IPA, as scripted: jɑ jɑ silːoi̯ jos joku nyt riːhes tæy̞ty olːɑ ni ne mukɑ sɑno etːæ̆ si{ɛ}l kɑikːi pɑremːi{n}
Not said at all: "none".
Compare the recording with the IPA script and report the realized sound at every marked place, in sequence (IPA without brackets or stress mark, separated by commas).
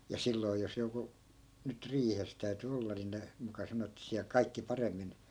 æ, n